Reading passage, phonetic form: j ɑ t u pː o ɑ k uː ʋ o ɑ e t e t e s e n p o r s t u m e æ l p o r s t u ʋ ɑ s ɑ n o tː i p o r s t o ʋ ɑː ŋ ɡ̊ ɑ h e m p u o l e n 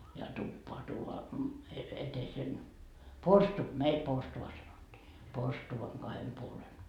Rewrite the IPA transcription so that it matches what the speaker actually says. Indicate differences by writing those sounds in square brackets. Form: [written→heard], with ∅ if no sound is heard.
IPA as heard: j ɑ t u pː o ɑ [k→t] uː ʋ o ɑ e t e t e s e n p o r s t u m e [æ→i] l p o r s t u ʋ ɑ s ɑ n o tː [i→iː] p o r s t [o→u] ʋ [ɑː→ɑ] ŋ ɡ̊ ɑ h e m p u o l e n